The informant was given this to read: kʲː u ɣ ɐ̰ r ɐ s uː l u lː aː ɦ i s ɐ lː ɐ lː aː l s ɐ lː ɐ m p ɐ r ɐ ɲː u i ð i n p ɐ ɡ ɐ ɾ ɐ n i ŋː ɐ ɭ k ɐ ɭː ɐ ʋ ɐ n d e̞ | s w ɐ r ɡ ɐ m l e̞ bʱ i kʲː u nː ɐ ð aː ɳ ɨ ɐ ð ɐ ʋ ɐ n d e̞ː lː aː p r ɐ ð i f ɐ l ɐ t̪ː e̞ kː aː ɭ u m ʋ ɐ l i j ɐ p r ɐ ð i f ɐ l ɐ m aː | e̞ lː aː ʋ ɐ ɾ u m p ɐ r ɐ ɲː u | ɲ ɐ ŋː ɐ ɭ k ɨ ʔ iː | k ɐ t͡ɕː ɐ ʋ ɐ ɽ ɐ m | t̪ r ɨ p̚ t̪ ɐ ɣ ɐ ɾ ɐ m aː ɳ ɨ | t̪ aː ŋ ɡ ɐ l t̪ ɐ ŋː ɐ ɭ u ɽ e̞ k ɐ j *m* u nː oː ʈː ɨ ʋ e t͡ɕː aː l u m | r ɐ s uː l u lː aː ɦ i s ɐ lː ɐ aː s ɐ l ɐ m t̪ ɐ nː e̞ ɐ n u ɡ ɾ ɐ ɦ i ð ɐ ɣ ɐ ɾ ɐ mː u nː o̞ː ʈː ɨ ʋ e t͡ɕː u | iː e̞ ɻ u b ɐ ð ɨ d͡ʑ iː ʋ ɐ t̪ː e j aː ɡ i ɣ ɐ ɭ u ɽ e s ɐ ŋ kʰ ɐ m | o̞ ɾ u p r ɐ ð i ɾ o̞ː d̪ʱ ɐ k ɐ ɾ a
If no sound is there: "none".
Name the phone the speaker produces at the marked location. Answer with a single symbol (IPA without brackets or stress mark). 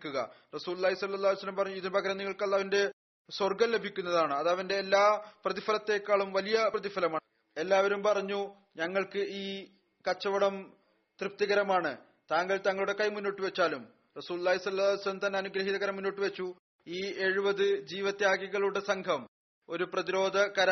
m